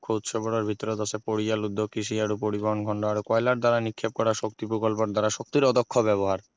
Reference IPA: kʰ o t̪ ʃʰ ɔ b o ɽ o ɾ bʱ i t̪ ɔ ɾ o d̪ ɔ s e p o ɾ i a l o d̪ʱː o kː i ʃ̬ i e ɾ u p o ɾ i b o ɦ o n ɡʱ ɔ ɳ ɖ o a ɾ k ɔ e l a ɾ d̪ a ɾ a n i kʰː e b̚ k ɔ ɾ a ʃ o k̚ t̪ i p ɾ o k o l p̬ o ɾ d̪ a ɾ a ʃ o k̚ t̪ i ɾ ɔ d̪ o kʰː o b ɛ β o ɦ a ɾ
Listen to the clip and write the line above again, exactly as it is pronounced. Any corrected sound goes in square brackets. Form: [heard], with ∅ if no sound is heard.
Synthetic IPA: kʰ o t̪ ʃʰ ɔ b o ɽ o ɾ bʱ i t̪ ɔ ɾ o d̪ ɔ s e p o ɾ i a l [u] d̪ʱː o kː i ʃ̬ i [a] ɾ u p o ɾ i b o ɦ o n ɡʱ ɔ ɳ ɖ o a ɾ k ɔ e l a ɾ d̪ a ɾ a n i kʰː e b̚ k ɔ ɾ a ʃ o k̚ t̪ i p ɾ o k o l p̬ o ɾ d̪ a ɾ a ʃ o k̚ t̪ i ɾ ɔ d̪ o kʰː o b ɛ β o ɦ a ɾ